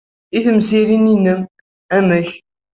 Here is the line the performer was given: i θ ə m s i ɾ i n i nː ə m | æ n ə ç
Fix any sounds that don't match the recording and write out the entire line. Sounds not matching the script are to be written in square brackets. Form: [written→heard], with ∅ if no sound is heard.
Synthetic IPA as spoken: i θ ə m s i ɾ i n i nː ə m | æ [n→m] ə ç